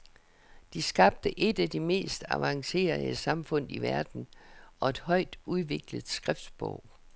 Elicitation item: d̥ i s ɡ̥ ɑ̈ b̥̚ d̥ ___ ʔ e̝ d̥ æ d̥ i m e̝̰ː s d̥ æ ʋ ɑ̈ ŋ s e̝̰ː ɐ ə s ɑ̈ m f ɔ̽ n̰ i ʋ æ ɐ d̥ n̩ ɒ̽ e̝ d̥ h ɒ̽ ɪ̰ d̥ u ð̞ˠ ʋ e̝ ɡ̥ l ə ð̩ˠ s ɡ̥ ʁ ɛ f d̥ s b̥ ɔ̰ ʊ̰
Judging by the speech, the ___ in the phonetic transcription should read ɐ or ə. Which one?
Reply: ə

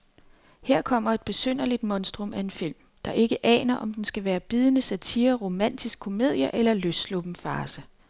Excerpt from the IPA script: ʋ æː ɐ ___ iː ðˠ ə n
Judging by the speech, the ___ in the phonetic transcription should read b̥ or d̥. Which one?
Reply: b̥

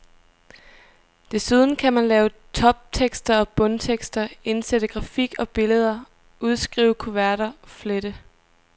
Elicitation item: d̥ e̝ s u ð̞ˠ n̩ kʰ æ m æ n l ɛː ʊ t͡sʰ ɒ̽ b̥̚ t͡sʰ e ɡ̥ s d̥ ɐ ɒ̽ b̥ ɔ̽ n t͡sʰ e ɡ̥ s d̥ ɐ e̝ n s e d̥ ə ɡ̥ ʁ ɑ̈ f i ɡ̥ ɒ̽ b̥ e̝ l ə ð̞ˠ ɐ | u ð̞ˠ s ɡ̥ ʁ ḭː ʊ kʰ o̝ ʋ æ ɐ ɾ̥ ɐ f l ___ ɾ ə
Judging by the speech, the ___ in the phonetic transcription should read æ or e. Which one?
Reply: e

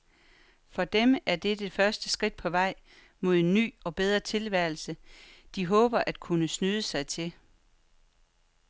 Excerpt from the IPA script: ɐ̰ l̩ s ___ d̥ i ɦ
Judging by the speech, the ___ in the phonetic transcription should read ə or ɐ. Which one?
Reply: ə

